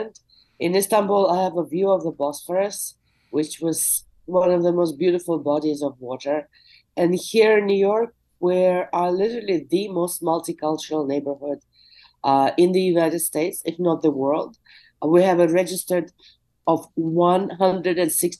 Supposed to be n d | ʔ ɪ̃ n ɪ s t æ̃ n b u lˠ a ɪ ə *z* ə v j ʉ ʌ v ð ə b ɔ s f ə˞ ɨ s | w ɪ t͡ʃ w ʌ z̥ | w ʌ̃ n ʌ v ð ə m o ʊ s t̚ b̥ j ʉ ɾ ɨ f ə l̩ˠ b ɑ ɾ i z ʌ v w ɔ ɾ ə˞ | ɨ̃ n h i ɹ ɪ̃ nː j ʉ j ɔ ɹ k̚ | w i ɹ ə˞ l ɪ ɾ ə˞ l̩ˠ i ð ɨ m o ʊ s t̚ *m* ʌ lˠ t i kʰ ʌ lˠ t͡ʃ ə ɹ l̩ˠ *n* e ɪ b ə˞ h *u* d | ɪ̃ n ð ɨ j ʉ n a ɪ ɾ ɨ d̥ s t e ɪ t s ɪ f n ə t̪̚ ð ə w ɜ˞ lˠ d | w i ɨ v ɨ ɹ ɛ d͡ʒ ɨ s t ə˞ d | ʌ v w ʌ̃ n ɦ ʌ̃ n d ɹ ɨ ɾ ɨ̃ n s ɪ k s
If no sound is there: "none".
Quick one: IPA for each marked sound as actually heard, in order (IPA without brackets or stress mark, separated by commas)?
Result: v, m, n, ʊ